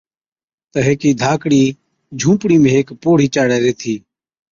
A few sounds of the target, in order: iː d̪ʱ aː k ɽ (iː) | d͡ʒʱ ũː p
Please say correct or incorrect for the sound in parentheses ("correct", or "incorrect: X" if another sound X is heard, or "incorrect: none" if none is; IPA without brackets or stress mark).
correct